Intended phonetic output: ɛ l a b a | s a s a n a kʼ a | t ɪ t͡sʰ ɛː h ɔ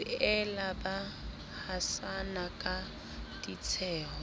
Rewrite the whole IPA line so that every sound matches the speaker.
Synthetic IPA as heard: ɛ l a b a | h a s a n a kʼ a | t i t͡sʰ ɛː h ɔ

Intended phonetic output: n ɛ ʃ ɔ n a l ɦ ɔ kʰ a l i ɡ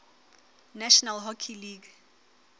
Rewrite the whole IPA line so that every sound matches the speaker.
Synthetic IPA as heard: n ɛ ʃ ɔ n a l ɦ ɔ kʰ i l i ɡ

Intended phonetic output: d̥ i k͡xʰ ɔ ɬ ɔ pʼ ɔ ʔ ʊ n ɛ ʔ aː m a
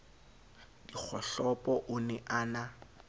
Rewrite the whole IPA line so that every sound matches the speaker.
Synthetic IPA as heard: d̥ i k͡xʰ ɔ ɬ ɔ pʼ ɔ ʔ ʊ n ɛ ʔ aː n a

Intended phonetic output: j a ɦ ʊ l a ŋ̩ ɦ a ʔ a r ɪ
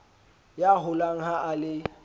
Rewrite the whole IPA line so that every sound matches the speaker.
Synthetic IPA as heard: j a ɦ ʊ l a ŋ̩ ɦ a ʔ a l ɪ

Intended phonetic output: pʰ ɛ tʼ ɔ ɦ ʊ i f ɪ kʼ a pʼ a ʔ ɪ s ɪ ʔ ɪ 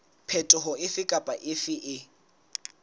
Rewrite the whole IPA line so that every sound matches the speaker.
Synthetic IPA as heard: pʰ ɛ tʼ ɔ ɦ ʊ ɪ f ɪ kʼ a pʼ a ʔ ɪ f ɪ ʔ ɪ

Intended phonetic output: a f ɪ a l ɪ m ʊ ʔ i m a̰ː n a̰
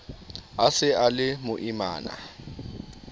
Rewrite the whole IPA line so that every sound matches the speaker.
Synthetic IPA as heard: a s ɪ a l ɪ m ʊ ʔ i m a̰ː n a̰

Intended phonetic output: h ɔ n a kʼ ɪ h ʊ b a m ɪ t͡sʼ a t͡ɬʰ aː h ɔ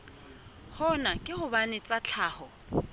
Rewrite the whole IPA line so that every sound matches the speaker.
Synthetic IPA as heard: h ɔ n a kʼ ɪ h ʊ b a n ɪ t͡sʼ a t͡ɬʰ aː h ɔ

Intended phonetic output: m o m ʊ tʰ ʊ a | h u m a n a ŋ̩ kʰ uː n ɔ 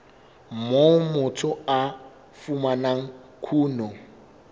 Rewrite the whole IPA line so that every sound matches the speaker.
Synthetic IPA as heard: m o m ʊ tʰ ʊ a | f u m a n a ŋ̩ kʰ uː n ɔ

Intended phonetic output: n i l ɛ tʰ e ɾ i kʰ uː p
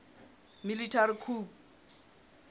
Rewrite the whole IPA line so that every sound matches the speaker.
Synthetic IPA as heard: m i l i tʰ a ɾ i kʰ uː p

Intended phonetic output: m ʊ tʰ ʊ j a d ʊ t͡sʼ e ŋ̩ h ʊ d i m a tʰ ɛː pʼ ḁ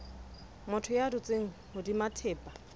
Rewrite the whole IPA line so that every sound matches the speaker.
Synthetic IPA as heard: m ʊ tʰ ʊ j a d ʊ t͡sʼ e ŋ̩ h ʊ d i m a tʰ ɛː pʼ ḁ

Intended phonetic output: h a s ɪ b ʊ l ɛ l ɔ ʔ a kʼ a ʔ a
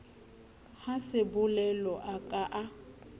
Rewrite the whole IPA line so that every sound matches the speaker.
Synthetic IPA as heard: h a s ɪ b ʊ l ɛ l ɔ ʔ a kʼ a ʔ a

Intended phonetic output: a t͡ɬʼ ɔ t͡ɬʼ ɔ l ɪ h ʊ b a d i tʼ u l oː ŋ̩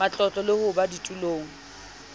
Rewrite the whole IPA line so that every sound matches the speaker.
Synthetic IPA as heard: a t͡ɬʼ ɔ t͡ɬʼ ɔ l ɪ h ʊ b a d i tʼ u l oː ŋ̩

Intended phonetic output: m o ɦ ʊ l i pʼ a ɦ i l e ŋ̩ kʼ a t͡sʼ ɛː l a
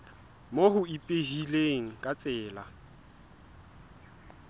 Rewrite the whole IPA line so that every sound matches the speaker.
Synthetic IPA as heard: m o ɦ ʊ i pʼ e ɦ i l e ŋ̩ kʼ a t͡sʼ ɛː l a

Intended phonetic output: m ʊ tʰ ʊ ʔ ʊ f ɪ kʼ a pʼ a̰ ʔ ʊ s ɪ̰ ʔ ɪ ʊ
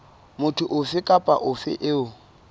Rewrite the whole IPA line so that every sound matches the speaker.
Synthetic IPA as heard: m ʊ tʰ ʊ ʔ ʊ f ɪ kʼ a pʼ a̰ ʔ ʊ f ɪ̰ ʔ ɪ ʊ

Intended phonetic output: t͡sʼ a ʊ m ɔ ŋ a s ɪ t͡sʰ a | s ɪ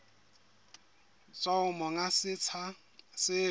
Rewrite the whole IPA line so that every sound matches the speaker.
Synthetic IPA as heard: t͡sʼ a ʊ m ɔ ŋ a s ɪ t͡sʰ a | s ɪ

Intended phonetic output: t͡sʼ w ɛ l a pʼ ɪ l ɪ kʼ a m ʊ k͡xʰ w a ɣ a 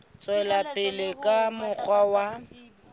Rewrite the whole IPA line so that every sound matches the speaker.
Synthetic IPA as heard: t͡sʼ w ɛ l a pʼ ɪ l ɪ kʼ a m ʊ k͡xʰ w a w a

